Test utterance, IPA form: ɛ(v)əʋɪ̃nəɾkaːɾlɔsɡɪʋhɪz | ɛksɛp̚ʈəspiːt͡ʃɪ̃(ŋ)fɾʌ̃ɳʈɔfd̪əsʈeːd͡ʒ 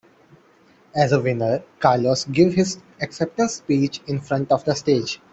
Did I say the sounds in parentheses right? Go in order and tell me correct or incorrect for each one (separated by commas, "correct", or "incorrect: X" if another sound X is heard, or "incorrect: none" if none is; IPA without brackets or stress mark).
incorrect: z, incorrect: n